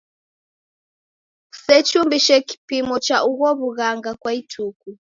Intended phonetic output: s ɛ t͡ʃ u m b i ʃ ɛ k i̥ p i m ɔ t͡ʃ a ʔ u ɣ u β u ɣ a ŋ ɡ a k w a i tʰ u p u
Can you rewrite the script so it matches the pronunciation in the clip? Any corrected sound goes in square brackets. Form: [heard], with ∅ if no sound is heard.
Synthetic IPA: s ɛ t͡ʃ u m b i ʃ ɛ k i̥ p i m ɔ t͡ʃ a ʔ u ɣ [ɔ] β u ɣ a ŋ ɡ a k w a i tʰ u [k] u

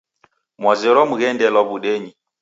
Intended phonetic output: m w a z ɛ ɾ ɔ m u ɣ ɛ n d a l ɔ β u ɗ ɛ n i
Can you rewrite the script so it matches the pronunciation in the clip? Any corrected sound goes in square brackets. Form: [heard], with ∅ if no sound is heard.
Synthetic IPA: m w a z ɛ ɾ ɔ m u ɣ ɛ n d [ɛ] l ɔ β u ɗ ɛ [ɲ] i

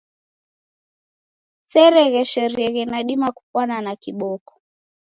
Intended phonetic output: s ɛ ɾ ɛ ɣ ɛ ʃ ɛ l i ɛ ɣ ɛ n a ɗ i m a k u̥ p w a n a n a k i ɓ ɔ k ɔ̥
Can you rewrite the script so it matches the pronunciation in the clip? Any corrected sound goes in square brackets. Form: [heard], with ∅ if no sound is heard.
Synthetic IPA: s ɛ ɾ ɛ ɣ ɛ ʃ ɛ [ɾ] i ɛ ɣ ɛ n a ɗ i m a k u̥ p w a n a n a k i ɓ ɔ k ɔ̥

